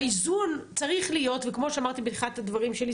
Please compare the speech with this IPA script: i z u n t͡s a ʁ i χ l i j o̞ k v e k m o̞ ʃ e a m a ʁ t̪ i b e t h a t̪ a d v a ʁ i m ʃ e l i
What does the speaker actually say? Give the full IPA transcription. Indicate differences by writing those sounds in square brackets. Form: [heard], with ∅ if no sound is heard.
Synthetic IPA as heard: i z u n t͡s a ʁ i χ l i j o̞ [t] v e k m o̞ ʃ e a m a ʁ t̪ i b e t [χ] a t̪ a d v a ʁ i m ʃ e l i